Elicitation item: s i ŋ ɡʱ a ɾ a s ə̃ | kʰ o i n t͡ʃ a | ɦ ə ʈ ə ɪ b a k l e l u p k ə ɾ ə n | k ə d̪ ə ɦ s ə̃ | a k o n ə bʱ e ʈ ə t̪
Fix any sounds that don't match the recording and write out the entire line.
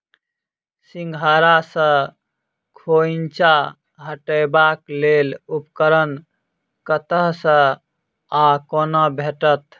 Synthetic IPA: s i ŋ ɡʱ a ɾ a s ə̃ | kʰ o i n t͡ʃ a | ɦ ə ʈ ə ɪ b a k l e l u p k ə ɾ ə n | k ə t̪ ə ɦ s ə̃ | a k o n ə bʱ e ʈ ə t̪